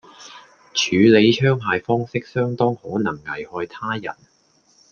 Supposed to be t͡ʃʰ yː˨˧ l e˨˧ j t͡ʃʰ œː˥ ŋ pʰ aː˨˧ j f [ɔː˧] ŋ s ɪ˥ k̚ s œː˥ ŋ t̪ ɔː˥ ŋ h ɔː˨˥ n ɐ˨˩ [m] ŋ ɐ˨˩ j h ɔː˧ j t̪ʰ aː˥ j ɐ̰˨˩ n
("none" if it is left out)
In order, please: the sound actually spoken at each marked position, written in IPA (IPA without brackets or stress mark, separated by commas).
ɔː˥, ŋ